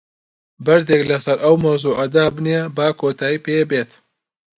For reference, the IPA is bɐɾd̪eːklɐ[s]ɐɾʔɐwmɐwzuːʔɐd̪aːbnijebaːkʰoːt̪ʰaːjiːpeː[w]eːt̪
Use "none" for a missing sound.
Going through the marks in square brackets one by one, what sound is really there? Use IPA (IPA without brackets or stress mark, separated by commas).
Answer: s, b